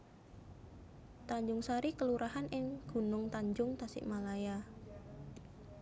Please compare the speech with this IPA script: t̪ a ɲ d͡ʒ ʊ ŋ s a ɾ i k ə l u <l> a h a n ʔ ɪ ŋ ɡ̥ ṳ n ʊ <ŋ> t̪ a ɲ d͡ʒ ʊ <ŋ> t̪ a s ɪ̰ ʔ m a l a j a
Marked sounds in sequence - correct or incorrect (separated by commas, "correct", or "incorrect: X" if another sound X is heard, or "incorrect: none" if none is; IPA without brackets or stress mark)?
incorrect: ɾ, correct, correct